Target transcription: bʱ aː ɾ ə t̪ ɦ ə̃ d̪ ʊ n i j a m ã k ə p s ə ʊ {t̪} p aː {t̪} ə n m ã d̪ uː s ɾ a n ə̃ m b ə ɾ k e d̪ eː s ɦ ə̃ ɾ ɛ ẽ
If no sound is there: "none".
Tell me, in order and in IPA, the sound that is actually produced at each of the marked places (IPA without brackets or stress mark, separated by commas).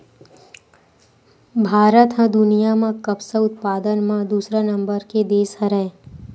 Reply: t̪, d̪